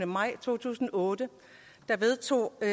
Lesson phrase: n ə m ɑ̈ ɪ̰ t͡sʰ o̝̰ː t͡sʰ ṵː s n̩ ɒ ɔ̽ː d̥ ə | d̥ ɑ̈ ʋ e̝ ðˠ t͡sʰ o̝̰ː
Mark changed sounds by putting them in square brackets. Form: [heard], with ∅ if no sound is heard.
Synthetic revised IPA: n ə m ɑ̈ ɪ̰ t͡sʰ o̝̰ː t͡sʰ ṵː s n̩ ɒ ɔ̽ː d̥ ə | d̥ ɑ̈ ʋ e̝ ðˠ t͡sʰ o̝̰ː